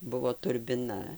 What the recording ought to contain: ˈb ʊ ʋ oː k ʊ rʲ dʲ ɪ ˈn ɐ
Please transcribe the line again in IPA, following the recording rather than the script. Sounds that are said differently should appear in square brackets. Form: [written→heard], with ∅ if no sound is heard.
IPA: ˈb ʊ ʋ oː [k→t] ʊ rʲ [dʲ→bʲ] ɪ ˈn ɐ